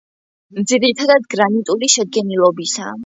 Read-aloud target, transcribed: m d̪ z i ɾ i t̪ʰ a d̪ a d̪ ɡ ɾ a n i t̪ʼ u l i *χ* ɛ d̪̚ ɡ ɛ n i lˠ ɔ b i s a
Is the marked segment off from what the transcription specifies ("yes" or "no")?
yes